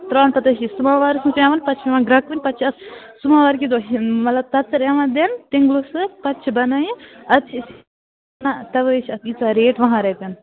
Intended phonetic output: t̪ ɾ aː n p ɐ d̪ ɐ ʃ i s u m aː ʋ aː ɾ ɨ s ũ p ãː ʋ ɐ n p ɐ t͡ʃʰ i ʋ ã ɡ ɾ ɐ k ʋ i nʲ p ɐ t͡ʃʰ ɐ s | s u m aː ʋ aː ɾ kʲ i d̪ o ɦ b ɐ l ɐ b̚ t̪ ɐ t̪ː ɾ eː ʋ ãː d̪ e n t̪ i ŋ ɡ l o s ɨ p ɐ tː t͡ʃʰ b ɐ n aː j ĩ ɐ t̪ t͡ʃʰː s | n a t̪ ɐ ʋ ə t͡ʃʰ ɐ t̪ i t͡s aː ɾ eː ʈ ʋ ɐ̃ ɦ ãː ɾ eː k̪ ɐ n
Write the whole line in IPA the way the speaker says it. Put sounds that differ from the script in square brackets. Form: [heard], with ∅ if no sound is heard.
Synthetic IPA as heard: t̪ ɾ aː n p ɐ [t̪] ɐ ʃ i s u m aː ʋ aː ɾ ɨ s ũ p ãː ʋ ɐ n p ɐ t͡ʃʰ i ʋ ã ɡ ɾ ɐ k ʋ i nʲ p ɐ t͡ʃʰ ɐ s | s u m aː ʋ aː ɾ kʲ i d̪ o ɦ [m] ɐ l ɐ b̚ t̪ ɐ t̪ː ɾ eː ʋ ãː d̪ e n t̪ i ŋ ɡ l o s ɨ p ɐ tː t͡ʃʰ b ɐ n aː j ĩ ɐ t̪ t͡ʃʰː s | n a t̪ ɐ ʋ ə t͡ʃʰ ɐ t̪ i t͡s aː ɾ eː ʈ ʋ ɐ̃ ɦ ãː ɾ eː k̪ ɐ n